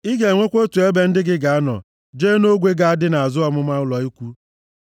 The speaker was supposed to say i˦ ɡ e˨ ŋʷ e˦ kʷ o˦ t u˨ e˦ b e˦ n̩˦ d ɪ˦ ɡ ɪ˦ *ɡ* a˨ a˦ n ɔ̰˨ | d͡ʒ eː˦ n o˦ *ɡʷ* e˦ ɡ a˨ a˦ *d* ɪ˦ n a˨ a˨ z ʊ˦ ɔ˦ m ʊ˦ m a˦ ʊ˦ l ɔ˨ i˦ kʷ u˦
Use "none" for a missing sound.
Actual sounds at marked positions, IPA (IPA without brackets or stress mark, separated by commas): ɡ, ɡʷ, d